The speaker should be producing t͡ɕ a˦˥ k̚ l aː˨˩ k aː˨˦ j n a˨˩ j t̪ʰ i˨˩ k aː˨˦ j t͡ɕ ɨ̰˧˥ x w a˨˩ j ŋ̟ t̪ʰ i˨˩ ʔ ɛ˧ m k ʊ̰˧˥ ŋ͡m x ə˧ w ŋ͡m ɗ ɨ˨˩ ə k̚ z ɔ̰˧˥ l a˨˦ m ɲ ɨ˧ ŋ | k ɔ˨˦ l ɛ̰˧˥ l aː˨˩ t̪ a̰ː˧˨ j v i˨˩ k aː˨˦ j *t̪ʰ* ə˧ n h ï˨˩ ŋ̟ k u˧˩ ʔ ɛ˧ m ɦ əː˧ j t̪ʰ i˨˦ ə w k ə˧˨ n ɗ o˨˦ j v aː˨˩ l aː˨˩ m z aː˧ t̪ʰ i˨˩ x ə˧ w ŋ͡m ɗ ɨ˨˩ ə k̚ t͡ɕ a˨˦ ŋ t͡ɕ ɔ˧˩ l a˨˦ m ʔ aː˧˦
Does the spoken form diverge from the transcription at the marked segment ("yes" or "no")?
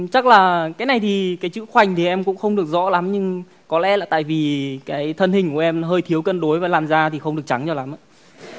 no